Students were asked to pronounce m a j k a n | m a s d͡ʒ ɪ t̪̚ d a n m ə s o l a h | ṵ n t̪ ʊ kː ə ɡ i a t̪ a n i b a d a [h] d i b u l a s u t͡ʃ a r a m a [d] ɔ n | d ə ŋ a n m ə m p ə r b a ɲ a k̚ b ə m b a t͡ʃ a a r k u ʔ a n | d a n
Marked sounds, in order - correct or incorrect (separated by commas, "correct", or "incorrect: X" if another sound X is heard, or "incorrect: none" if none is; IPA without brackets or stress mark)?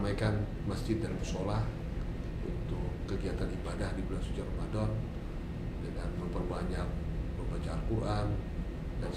correct, correct